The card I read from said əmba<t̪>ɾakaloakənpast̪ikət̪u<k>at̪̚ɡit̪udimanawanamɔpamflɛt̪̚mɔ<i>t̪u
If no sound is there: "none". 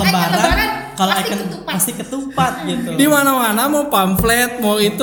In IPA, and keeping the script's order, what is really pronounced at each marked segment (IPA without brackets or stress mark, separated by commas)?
none, p, i